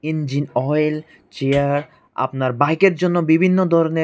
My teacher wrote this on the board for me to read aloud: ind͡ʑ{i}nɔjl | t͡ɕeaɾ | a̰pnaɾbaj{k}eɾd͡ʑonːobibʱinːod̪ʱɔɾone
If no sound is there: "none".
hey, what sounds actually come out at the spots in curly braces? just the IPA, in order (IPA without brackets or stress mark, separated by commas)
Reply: i, k